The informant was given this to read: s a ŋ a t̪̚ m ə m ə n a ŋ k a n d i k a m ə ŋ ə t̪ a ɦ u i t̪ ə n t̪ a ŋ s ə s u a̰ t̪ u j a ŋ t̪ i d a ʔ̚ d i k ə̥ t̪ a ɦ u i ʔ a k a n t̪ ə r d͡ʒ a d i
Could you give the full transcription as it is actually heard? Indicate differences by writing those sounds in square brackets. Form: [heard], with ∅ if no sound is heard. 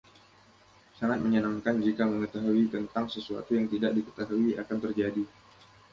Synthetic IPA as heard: s a ŋ a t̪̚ m ə [ɲ] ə n a ŋ k a n [d͡ʒ] i k a m ə ŋ ə t̪ a ɦ u i t̪ ə n t̪ a ŋ s ə s u a̰ t̪ u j a ŋ t̪ i d a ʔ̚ d i k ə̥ t̪ a ɦ u i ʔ a k a n t̪ ə r d͡ʒ a d i